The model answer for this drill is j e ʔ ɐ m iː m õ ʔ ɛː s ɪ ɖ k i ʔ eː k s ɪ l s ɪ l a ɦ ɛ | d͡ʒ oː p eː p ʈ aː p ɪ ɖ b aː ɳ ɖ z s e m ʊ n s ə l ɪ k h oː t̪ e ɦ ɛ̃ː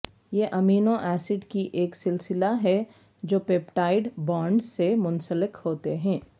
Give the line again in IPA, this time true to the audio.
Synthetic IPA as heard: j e ʔ ɐ m iː n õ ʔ ɛː s ɪ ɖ k i ʔ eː k s ɪ l s ɪ l a ɦ ɛ | d͡ʒ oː p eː p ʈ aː ɪ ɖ b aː ɳ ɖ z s e m ʊ n s ə l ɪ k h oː t̪ e ɦ ɛ̃ː